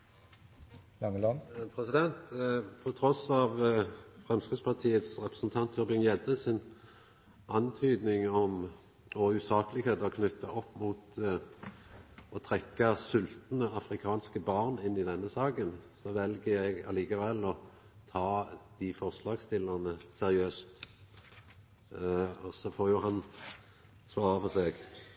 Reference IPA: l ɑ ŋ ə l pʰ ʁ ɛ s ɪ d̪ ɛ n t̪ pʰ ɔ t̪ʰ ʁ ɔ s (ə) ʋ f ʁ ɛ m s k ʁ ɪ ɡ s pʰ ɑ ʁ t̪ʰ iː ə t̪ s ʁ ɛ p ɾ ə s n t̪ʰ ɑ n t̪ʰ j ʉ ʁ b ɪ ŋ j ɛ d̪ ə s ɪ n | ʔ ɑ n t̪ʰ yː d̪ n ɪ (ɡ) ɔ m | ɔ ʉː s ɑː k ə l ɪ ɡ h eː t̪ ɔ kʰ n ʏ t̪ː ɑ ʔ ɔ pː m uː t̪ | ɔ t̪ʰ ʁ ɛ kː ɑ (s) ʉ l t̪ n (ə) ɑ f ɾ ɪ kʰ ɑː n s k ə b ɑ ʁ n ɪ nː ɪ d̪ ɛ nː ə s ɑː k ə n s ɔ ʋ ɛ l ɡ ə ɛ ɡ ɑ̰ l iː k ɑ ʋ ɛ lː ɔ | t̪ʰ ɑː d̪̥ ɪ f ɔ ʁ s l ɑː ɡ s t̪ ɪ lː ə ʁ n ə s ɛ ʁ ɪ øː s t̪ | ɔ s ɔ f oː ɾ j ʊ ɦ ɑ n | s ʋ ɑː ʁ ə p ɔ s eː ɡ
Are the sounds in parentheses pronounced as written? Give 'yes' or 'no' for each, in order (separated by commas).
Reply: no, no, yes, yes